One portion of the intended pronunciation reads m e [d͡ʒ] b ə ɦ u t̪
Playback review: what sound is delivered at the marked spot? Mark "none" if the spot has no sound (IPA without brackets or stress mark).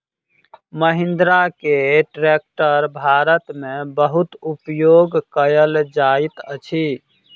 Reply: none